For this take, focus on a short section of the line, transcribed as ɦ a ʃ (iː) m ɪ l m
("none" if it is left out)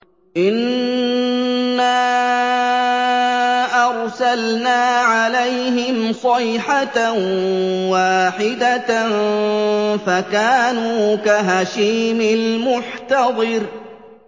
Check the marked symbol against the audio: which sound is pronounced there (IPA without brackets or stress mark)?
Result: iː